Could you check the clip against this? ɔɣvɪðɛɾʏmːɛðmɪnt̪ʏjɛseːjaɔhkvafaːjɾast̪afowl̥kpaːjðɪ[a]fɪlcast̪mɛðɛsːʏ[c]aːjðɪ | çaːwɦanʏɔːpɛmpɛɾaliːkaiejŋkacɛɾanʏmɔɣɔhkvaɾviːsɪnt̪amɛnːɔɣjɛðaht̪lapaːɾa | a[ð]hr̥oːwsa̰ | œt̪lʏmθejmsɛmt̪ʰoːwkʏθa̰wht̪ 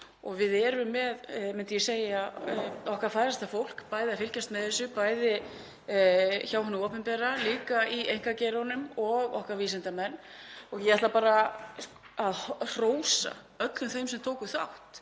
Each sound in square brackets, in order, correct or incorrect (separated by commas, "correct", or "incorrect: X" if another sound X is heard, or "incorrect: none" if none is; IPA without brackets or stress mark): correct, incorrect: p, correct